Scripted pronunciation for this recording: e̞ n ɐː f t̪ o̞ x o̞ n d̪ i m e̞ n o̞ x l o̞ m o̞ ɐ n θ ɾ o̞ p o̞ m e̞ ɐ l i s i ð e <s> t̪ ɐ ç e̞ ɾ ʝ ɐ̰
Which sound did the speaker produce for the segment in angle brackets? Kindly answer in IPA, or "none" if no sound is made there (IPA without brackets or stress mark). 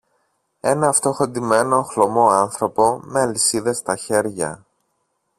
s